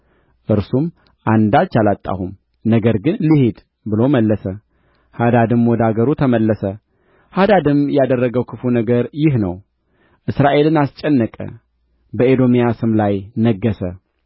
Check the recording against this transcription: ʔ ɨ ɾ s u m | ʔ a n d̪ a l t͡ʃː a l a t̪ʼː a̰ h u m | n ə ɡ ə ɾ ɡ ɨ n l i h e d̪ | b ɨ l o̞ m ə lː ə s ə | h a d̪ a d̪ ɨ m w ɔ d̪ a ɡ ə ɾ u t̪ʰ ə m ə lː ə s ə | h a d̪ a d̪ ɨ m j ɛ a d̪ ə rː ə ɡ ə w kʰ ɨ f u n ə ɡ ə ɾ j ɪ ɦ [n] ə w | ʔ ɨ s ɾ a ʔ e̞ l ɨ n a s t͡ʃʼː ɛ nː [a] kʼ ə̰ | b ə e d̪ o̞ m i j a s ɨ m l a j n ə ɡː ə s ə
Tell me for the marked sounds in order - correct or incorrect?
correct, incorrect: ə

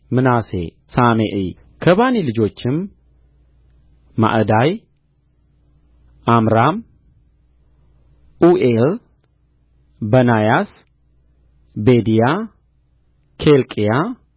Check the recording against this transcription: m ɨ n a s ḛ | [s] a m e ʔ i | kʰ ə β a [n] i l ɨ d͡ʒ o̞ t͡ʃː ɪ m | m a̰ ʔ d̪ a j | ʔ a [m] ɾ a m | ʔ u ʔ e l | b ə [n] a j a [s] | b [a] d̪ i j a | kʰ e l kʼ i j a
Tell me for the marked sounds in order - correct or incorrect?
correct, correct, correct, correct, correct, incorrect: e

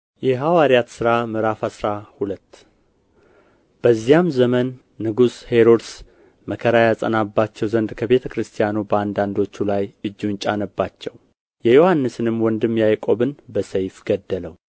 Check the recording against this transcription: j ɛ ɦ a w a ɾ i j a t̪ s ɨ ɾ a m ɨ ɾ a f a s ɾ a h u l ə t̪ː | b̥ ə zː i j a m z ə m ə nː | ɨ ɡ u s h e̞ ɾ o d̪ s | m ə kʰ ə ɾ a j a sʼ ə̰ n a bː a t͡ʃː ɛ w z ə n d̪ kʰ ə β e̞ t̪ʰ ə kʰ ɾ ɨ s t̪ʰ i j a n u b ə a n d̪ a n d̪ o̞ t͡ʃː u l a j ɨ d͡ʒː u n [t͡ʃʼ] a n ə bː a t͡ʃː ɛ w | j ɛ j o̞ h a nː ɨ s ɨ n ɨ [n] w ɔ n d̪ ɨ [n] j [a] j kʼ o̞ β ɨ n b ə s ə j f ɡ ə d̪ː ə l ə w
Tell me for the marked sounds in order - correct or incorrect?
correct, incorrect: m, incorrect: m, correct

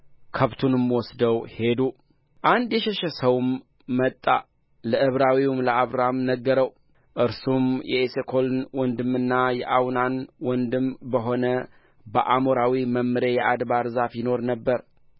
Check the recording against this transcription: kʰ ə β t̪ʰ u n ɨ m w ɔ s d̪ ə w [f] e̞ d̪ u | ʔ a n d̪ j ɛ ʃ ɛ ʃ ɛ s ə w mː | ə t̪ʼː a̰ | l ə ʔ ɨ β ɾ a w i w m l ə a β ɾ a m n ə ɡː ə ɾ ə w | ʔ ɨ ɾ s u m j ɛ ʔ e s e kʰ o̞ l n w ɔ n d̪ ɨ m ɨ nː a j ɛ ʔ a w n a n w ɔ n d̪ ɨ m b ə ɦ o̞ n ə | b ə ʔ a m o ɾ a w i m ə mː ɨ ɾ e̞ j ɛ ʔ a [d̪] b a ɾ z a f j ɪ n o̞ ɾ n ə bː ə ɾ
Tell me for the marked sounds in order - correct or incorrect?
incorrect: h, correct

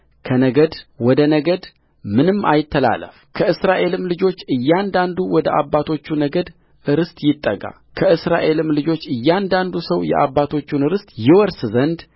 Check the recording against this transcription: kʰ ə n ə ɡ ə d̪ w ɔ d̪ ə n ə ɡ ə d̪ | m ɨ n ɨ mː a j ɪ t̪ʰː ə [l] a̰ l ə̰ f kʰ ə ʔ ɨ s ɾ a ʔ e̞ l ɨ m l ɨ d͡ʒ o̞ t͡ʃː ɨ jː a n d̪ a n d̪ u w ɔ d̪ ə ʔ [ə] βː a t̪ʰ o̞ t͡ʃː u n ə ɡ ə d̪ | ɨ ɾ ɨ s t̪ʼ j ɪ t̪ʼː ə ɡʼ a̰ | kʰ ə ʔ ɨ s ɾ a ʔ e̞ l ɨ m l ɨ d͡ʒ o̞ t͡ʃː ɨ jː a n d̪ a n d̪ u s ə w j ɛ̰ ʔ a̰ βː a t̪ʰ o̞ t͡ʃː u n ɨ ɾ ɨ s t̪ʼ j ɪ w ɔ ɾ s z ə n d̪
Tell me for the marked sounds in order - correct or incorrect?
correct, incorrect: a

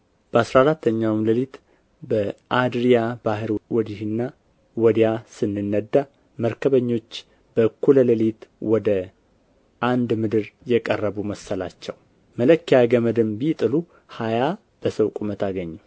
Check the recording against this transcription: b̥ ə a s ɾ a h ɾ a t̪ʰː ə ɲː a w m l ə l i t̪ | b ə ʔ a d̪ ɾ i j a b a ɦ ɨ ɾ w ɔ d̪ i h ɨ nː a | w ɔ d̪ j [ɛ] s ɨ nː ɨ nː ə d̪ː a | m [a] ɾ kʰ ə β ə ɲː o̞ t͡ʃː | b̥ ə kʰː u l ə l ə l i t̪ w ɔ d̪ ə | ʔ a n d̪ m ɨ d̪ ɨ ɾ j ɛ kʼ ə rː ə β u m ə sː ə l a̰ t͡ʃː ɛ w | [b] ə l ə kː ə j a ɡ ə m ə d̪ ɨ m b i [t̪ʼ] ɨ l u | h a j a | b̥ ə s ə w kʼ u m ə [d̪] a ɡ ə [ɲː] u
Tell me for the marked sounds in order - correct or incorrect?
incorrect: a, incorrect: ə, incorrect: m, correct, incorrect: t̪, correct

